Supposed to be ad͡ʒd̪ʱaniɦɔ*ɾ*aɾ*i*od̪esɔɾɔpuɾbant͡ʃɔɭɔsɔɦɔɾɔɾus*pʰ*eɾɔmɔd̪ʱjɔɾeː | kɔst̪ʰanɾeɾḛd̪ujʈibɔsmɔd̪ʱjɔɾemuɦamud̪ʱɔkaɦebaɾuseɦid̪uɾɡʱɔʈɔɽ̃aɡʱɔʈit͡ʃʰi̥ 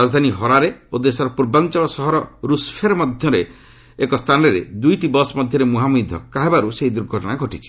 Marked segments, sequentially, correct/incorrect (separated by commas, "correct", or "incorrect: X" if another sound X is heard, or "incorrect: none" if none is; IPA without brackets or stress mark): correct, incorrect: e, correct